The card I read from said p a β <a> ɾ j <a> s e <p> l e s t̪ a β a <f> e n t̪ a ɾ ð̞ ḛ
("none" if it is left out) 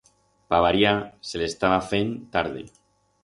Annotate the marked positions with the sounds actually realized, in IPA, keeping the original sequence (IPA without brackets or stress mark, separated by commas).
a, a, none, f